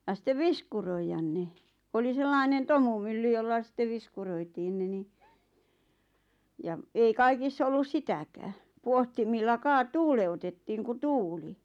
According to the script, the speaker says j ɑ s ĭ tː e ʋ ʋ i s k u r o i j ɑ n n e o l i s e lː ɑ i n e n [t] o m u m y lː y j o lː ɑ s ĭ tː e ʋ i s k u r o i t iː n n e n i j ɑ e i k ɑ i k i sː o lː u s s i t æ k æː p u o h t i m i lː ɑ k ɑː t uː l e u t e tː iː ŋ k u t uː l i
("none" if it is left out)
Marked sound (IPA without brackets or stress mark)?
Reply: t